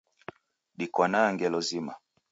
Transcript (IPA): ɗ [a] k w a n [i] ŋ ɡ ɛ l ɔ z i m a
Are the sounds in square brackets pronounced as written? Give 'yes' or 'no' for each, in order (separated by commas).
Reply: no, no